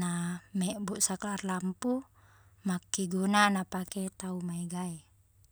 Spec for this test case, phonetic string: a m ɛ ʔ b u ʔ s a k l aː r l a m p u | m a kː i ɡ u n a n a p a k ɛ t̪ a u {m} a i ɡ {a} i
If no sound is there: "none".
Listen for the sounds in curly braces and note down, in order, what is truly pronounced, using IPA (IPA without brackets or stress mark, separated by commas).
m, a